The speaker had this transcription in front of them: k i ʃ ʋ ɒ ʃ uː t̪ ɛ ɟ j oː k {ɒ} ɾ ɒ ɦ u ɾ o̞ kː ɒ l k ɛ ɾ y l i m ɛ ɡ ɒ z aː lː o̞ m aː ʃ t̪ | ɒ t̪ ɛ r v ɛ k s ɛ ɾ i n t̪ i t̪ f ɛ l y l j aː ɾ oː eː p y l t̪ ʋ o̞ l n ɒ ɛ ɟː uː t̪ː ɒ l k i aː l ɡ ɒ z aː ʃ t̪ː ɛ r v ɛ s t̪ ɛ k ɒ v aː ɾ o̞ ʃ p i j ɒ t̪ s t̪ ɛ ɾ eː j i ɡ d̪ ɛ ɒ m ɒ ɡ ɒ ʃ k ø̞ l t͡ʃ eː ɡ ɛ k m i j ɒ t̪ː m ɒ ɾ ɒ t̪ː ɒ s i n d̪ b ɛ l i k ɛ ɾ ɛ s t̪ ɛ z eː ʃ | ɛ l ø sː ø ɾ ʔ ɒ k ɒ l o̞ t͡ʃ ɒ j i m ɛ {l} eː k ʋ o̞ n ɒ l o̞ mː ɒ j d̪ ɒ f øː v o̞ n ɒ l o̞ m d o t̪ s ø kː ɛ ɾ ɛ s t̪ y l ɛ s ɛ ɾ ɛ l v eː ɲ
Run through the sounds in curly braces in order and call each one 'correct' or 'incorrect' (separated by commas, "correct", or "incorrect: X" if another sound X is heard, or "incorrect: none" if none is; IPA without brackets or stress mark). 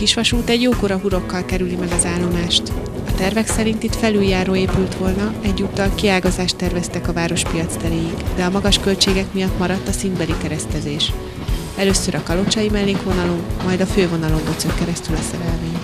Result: incorrect: o, incorrect: lː